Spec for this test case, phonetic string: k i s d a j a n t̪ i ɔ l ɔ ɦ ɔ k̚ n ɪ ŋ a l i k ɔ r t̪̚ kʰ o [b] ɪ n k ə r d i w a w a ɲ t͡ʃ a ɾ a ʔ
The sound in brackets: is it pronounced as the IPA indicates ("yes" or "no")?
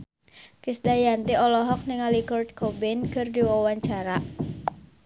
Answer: yes